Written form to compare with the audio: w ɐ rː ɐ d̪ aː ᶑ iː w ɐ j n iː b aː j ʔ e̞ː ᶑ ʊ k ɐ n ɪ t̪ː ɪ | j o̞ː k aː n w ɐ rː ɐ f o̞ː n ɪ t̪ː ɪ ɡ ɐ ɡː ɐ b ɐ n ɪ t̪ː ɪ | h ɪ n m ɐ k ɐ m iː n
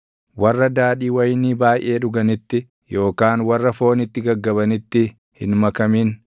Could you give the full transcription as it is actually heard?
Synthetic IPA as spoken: w ɐ rː ɐ d̪ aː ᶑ iː w ɐ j n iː b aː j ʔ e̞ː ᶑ ʊ ɡ ɐ n ɪ t̪ː ɪ | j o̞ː k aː n w ɐ rː ɐ f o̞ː n ɪ t̪ː ɪ ɡ ɐ ɡː ɐ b ɐ n ɪ t̪ː ɪ | h ɪ n m ɐ k ɐ m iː n